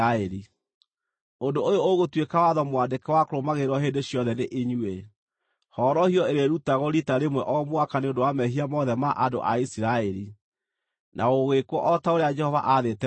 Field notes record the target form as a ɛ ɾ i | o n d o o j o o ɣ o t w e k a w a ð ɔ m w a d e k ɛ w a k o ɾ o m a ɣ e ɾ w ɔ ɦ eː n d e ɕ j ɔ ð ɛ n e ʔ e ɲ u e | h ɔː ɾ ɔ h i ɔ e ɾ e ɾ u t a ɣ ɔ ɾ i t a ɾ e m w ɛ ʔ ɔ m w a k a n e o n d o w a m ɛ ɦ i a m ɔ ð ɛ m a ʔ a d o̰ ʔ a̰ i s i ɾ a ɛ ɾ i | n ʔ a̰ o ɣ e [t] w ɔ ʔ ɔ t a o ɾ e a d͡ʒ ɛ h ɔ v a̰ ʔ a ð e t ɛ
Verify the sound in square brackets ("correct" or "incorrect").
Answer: incorrect